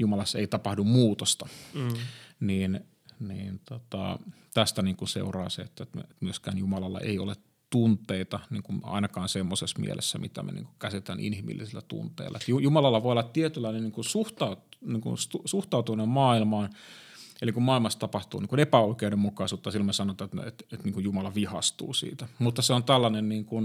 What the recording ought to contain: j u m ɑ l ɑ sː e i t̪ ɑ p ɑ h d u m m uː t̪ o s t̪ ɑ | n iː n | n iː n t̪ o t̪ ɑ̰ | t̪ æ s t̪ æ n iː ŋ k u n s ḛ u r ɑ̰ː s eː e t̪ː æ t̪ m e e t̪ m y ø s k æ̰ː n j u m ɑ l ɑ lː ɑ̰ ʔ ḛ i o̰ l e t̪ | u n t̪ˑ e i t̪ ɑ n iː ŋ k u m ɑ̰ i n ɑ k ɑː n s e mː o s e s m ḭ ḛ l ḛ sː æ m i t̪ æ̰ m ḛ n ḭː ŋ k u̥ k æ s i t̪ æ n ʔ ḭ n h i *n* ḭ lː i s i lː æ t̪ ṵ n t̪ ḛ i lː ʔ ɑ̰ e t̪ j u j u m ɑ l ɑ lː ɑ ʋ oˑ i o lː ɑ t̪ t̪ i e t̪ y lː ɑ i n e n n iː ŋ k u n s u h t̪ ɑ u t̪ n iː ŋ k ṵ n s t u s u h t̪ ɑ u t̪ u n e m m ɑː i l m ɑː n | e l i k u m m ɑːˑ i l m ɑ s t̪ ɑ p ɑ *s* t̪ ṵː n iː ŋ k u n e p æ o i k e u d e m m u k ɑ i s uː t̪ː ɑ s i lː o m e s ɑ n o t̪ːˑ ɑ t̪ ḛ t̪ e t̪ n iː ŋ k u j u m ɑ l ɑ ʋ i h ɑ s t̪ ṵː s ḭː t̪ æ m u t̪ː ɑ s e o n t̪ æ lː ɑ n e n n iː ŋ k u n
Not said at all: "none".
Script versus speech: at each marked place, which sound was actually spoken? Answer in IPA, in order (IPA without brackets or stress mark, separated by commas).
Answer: m, h